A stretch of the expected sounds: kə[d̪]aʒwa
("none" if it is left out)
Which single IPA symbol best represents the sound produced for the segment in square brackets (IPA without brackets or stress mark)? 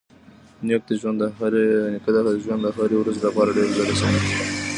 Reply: d̪